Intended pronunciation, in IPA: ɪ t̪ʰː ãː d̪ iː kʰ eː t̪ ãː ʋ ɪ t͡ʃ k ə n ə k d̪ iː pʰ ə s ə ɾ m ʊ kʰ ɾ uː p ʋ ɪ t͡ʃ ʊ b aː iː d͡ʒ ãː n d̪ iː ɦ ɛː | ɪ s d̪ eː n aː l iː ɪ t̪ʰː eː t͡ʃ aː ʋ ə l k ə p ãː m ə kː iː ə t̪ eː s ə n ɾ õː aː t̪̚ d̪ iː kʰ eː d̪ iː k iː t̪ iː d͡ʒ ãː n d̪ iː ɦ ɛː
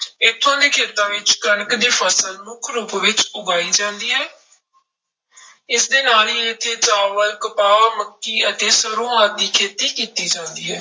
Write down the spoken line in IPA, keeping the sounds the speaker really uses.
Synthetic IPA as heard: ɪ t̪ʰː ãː d̪ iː kʰ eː t̪ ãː ʋ ɪ t͡ʃ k ə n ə k d̪ iː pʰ ə s ə l m ʊ kʰ ɾ uː p ʋ ɪ t͡ʃ ʊ ɡ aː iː d͡ʒ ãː n d̪ iː ɦ ɛː | ɪ s d̪ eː n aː l iː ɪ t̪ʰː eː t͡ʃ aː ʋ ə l k ə p aː m ə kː iː ə t̪ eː s ə ɾ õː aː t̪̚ d̪ iː kʰ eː t̪ iː k iː t̪ iː d͡ʒ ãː n d̪ iː ɦ ɛː